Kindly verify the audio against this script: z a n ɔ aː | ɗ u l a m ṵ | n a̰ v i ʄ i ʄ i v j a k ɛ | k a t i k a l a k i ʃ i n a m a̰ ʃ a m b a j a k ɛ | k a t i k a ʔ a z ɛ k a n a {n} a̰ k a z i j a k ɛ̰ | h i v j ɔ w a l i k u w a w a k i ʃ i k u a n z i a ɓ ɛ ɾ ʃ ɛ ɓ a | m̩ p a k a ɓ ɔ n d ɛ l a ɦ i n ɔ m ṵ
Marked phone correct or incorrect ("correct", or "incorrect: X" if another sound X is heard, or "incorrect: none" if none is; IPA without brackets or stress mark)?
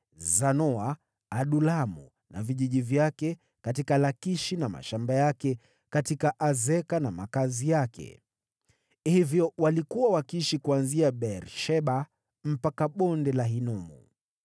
incorrect: m